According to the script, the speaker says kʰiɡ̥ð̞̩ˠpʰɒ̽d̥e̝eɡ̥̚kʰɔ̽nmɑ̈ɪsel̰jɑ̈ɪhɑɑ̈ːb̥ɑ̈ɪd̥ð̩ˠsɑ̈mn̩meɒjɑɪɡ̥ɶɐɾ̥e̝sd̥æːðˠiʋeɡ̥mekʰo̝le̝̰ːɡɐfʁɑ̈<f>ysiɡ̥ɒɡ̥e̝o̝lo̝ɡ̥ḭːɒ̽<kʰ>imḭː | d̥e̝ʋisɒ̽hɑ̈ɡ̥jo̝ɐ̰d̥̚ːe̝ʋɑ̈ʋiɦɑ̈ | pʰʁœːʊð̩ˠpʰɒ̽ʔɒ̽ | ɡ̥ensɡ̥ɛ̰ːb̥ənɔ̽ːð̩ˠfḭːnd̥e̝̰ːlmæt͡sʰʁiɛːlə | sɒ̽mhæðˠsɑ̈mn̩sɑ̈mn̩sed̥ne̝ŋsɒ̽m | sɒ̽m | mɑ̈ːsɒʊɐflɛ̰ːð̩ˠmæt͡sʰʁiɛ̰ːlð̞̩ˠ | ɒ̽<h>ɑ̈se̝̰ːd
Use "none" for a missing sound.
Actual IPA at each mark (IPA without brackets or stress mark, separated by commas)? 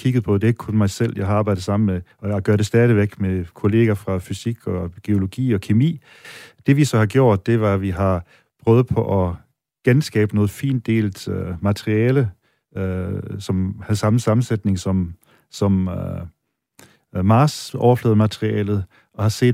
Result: f, kʰ, h